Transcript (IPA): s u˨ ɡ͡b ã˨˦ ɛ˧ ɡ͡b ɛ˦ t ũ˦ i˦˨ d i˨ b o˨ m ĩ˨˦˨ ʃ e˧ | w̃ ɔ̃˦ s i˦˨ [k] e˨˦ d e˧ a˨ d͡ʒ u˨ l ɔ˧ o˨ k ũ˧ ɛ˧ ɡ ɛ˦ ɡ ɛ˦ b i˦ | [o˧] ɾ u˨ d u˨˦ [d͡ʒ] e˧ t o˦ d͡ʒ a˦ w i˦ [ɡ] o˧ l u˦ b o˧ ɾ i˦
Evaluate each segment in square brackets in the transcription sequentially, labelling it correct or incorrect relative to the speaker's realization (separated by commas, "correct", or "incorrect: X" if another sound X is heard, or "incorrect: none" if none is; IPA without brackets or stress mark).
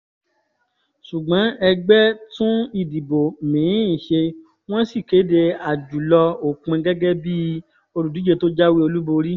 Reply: correct, correct, correct, incorrect: none